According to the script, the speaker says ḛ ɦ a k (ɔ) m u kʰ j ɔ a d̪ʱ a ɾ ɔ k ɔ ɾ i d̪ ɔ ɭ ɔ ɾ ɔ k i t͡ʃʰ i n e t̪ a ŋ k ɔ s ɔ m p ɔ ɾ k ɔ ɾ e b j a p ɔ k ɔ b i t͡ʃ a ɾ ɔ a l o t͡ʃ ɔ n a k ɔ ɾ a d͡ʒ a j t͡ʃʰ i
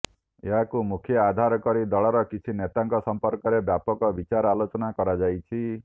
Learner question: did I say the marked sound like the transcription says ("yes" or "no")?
no